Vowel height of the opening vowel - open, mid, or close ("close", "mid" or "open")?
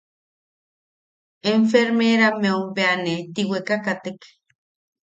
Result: mid